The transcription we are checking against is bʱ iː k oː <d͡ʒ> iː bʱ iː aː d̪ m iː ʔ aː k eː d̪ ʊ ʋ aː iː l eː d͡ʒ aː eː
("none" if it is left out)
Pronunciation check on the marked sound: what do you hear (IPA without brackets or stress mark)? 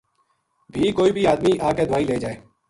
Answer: none